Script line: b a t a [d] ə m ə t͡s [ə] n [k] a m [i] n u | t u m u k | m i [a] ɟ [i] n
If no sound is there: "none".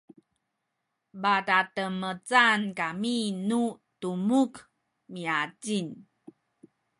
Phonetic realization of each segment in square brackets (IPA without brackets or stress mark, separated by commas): t, a, k, i, a, i